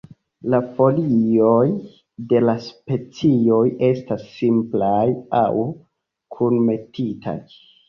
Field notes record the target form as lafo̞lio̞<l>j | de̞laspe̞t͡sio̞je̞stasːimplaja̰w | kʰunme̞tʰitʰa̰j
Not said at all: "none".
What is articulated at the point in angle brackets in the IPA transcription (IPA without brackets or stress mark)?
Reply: none